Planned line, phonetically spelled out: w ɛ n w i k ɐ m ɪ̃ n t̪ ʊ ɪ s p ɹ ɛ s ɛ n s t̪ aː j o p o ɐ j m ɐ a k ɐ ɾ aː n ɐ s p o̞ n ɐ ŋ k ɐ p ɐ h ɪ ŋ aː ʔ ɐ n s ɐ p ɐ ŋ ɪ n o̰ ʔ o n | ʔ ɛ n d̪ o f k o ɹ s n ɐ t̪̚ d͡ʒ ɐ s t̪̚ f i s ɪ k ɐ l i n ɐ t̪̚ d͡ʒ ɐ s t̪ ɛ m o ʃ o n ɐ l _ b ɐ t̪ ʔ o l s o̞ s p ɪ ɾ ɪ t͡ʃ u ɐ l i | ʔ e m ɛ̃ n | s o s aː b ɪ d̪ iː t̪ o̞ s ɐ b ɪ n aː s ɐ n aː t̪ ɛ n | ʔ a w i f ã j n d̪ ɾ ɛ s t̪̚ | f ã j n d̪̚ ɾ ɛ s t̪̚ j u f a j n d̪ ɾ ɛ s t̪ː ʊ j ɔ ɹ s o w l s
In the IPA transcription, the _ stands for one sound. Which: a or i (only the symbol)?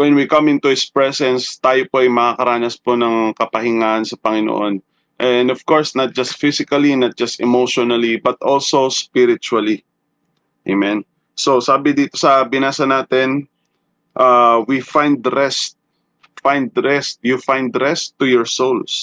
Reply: i